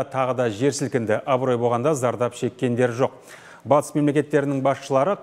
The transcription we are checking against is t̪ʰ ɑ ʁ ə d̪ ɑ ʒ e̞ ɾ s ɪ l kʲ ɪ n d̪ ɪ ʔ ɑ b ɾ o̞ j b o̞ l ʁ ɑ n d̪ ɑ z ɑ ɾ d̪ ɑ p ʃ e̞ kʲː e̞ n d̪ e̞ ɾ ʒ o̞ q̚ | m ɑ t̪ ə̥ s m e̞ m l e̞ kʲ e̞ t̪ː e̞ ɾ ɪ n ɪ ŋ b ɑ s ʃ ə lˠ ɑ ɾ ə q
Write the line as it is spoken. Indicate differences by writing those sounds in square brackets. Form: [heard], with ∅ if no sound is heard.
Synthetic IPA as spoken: t̪ʰ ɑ ʁ ə d̪ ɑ ʒ e̞ ɾ s ɪ l kʲ ɪ n d̪ ɪ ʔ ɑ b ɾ o̞ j b o̞ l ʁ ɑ n d̪ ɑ z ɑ ɾ d̪ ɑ p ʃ e̞ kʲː e̞ n d̪ e̞ ɾ ʒ o̞ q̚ | [b] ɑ t̪ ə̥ s m e̞ m l e̞ kʲ e̞ t̪ː e̞ ɾ ɪ n ɪ ŋ b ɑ s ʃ ə lˠ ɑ ɾ ə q